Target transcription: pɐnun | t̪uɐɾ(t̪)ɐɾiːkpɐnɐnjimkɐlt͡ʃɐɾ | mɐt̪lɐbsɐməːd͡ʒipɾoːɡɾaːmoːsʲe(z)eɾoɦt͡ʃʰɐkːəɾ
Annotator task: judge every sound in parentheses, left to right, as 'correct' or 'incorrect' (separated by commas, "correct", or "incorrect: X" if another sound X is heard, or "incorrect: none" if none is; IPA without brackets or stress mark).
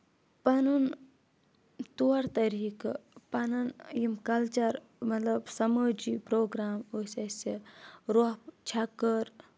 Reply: correct, incorrect: s